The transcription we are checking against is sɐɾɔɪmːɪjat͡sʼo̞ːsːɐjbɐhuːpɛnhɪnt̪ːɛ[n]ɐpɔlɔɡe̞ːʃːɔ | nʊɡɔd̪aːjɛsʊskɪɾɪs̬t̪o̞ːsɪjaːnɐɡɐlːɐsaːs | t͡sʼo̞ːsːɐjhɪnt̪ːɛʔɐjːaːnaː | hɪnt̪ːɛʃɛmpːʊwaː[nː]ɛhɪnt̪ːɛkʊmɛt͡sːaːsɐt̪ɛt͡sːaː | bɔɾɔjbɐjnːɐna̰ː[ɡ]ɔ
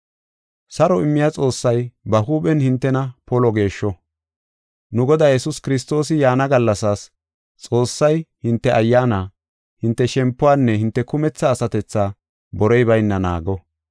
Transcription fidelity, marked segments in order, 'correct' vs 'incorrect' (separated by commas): correct, correct, correct